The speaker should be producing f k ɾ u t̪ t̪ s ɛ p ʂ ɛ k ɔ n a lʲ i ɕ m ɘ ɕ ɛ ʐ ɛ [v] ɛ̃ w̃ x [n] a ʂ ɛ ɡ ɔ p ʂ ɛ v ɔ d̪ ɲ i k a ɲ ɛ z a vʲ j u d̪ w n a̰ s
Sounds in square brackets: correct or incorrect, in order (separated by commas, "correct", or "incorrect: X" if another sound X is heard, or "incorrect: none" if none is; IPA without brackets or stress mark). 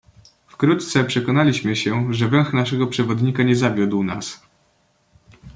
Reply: correct, correct